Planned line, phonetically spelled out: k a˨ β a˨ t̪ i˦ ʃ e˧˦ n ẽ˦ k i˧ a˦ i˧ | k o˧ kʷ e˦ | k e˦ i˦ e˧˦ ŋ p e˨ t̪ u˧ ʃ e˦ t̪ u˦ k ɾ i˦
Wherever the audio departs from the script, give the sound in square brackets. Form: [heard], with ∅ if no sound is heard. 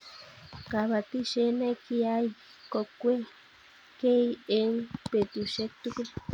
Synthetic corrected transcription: k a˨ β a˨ t̪ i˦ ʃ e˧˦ n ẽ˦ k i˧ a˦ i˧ | k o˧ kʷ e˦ | k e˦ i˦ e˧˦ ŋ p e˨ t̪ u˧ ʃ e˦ t̪ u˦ k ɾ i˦